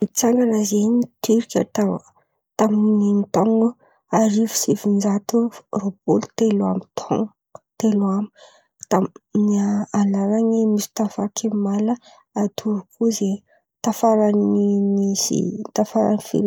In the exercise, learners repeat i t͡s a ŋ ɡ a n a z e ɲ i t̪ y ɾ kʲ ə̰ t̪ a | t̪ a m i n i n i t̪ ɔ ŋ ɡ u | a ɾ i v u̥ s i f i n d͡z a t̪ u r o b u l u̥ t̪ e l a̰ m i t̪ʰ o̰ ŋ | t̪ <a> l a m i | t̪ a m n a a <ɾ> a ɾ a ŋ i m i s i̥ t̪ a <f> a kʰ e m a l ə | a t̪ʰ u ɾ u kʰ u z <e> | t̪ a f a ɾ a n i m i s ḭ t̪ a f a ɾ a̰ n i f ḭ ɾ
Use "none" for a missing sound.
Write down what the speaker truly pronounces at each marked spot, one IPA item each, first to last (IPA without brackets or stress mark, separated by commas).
e, l, f, e